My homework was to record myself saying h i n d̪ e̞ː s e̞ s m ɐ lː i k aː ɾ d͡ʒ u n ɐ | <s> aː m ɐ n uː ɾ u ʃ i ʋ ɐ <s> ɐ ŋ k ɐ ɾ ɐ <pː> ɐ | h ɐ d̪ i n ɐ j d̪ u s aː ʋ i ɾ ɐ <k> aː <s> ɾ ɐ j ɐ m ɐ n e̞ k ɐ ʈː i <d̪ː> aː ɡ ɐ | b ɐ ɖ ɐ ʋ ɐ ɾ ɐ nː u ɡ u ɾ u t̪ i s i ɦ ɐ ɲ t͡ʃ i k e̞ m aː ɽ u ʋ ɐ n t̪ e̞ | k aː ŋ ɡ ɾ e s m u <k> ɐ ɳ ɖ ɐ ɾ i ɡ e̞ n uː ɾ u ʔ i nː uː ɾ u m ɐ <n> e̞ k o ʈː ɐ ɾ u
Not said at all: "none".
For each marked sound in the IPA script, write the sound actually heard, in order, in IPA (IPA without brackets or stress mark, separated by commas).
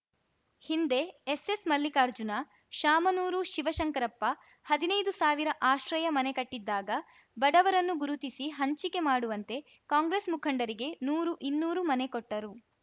ʃ, ʃ, pː, ʔ, ʃ, d̪ː, kʰ, n